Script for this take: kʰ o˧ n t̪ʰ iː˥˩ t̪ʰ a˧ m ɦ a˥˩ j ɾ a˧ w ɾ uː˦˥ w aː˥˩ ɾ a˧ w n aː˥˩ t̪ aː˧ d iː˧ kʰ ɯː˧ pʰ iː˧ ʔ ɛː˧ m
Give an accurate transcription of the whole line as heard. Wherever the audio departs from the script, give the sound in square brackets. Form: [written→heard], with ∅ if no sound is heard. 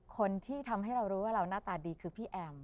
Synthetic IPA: kʰ o˧ n t̪ʰ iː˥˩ t̪ʰ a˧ m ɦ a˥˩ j ɾ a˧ w ɾ uː˦˥ w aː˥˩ ɾ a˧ w n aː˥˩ t̪ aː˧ d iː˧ kʰ ɯː˧ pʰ [iː˧→iː˥˩] ʔ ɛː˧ m